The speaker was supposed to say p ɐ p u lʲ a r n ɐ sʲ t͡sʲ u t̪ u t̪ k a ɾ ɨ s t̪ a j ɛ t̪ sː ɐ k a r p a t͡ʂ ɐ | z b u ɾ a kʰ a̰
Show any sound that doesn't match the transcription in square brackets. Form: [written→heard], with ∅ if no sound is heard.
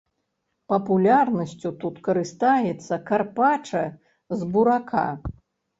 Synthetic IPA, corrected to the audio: p ɐ p u lʲ a r n ɐ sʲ t͡sʲ u t̪ u t̪ k [a→ɐ] ɾ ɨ s t̪ a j ɛ t̪ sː ɐ k a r p a t͡ʂ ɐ | z b u ɾ a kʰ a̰